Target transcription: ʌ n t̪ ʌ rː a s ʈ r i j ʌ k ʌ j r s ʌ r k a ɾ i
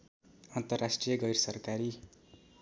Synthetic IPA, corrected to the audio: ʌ n t̪ ʌ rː a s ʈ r i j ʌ ɡ ʌ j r s ʌ r k a ɾ i